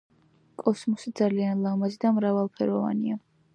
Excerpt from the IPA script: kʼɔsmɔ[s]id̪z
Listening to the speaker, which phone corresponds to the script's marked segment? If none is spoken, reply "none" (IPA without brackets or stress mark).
s